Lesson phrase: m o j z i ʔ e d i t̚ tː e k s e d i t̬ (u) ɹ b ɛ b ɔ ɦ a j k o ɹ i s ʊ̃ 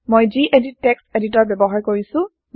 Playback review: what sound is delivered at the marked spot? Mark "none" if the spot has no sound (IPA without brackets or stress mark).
ɔ